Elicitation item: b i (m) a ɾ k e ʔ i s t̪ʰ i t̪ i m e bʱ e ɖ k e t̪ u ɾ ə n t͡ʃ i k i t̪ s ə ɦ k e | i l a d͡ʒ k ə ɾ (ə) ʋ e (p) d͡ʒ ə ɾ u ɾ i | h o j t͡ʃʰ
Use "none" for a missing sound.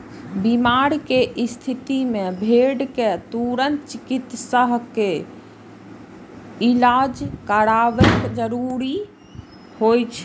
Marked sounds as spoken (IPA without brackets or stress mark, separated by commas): m, a, k